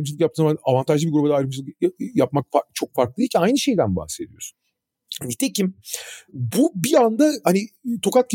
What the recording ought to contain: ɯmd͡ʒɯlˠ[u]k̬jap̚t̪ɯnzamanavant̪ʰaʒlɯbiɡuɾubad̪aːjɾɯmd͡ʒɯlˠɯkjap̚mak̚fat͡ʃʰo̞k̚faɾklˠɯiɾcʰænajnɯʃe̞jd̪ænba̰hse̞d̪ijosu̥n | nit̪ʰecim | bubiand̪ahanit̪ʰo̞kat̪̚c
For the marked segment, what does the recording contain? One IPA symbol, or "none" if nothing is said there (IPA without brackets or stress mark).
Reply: ɯ